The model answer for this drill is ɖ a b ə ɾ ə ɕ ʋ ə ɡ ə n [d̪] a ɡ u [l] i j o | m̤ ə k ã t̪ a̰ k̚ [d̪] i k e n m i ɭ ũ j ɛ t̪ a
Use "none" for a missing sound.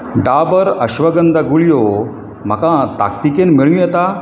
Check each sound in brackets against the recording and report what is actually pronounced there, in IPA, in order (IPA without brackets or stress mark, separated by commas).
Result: d̪, ɭ, t̪